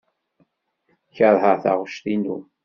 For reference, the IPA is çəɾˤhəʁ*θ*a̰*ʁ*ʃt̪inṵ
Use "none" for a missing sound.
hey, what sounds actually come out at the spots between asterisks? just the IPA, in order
θ, ʁ

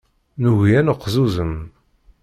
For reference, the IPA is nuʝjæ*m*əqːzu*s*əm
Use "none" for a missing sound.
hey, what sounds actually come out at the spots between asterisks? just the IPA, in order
n, z

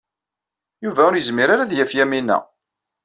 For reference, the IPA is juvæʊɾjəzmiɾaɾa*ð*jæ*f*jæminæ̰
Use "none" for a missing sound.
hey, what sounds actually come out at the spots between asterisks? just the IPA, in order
ð, f

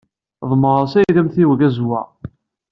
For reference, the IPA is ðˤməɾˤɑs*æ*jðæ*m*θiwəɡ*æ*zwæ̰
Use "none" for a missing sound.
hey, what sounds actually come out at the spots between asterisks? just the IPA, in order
æ, m, æ

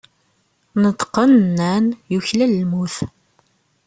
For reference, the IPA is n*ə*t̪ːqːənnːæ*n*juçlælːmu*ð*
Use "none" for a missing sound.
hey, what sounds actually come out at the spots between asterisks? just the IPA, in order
ə, n, θ

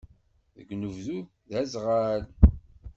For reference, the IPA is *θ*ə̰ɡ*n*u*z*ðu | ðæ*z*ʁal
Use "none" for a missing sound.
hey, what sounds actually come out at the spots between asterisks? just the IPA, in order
ð, n, v, z

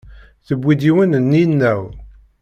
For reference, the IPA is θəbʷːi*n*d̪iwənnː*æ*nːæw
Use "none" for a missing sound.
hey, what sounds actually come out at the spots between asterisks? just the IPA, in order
none, i

